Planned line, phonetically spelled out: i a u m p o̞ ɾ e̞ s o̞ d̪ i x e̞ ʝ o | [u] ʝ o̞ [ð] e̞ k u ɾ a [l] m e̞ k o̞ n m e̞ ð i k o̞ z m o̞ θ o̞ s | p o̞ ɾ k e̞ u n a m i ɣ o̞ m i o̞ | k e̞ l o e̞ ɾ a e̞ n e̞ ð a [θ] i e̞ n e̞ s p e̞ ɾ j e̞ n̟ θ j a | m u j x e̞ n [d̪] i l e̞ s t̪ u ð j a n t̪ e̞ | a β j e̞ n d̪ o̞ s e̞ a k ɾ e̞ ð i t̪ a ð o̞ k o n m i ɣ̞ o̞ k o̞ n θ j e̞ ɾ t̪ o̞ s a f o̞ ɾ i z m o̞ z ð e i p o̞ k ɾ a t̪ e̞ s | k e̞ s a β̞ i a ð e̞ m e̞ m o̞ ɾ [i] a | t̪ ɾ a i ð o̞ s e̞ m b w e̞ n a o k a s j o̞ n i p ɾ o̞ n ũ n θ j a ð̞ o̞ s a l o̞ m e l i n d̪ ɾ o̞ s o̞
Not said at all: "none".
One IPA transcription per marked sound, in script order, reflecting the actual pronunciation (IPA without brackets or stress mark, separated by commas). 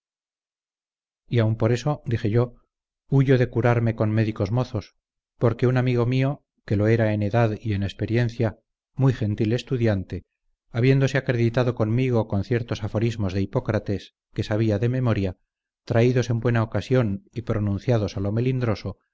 u, ð, ɾ, ð, t̪, j